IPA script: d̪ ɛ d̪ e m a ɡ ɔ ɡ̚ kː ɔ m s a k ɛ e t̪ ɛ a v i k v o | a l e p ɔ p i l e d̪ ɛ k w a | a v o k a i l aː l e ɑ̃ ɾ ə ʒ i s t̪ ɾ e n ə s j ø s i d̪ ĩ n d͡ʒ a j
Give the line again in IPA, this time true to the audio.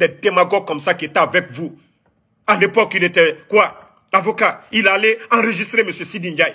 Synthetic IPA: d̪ ɛ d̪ e m a ɡ ɔ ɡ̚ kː ɔ m s a k i e t̪ ɛ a v ɛ k v u | a l e p ɔ k i l e t̪ ɛ k w a | a v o k a i l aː l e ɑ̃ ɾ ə ʒ i s t̪ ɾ e m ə s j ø s i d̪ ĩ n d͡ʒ a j

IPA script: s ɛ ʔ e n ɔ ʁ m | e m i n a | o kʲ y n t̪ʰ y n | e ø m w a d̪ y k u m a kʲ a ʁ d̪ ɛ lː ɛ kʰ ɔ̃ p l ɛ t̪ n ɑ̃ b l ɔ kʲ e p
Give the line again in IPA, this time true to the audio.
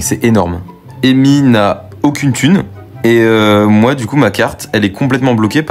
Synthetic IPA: s ɛ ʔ e n ɔ ʁ m | e m i n a | o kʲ y n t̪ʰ y n | e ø m w a d̪ y k u m a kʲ a ʁ t̪ ɛ l ɛ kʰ ɔ̃ p l ɛ t̪ m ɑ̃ b l ɔ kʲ e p

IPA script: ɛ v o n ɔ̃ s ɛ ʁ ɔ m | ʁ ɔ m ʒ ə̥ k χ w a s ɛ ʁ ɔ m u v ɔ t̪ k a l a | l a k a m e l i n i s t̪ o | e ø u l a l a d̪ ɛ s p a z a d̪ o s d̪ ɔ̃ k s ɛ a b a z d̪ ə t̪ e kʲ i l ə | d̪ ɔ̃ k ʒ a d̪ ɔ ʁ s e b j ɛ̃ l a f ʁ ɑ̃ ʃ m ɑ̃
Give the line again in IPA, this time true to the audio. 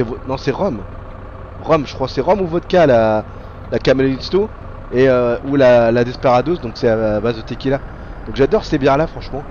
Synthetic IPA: ɛ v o n ɔ̃ s ɛ ʁ ɔ m | ʁ ɔ m ʒ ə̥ k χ w a s ɛ ʁ ɔ m u v ɔ t̪ k a l a | l a k a m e l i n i s t̪ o | e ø u l a l a d̪ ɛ s p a ʁ a d̪ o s d̪ ɔ̃ k s ɛ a b a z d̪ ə t̪ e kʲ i l a | d̪ ɔ̃ k ʒ a d̪ ɔ ʁ s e b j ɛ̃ l a f χ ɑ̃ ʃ m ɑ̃

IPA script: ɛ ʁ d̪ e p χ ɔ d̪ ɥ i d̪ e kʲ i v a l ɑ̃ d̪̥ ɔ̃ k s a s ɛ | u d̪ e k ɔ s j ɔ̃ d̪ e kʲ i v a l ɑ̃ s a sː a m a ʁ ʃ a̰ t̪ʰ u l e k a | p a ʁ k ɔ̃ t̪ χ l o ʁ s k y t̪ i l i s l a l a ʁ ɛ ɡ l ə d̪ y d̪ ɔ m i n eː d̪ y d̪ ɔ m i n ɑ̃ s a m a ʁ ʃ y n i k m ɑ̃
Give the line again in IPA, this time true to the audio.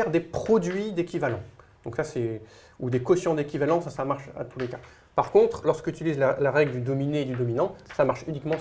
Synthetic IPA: ɛ ʁ d̪ e p χ ɔ d̪ ɥ i d̪ e kʲ i v a l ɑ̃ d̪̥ ɔ̃ k s a s ɛ | u d̪ e k ɔ s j ɔ̃ d̪ e kʲ i v a l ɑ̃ s a s a m a ʁ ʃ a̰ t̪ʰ u l e k a | p a ʁ k ɔ̃ t̪ χ l ɔ ʁ s k y t̪ i l i z l a l a ʁ ɛ ɡ l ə d̪ y d̪ ɔ m i n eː d̪ y d̪ ɔ m i n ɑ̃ s a m a ʁ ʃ y n i k m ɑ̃

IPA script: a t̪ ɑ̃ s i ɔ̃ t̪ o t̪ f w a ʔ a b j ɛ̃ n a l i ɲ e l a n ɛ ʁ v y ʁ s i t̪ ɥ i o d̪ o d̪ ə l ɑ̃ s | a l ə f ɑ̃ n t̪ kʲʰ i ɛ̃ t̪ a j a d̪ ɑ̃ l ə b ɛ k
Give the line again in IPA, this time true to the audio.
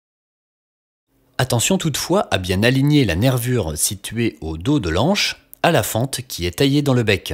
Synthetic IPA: a t̪ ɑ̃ s j ɔ̃ t̪ u t̪ f w a ʔ a b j ɛ̃ n a l i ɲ e l a n ɛ ʁ v y ʁ s i t̪ ɥ e o d̪ o d̪ ə l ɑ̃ ʃ | a l a f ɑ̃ t̪ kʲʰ i ɛ t̪ a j e d̪ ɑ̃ l ə b ɛ k

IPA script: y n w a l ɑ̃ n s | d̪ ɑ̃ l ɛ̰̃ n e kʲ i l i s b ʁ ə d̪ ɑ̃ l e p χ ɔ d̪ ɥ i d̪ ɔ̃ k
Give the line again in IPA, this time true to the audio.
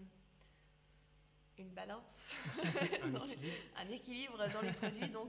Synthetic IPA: y n b a l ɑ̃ s | d̪ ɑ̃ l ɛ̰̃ n e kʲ i l i b ʁ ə d̪ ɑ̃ l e p χ ɔ d̪ ɥ i d̪ ɔ̃ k

